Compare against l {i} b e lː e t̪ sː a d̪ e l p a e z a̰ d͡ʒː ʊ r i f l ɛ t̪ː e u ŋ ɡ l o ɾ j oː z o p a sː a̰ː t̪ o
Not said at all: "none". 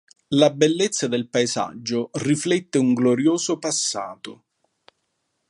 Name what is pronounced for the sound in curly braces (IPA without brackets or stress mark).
a